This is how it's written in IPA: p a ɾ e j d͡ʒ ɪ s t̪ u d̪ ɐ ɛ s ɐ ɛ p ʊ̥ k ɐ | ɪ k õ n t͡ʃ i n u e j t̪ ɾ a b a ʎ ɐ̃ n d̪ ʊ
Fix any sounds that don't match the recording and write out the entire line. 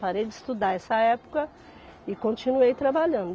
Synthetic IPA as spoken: p a ɾ e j d͡ʒ ɪ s t̪ u d̪ a ɛ s ɐ ɛ p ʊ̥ k ɐ | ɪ k õ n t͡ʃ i n u e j t̪ ɾ a b a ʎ ɐ̃ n d̪ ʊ